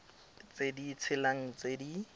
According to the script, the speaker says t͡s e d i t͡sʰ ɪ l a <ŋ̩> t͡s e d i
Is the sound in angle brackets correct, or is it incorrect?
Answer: correct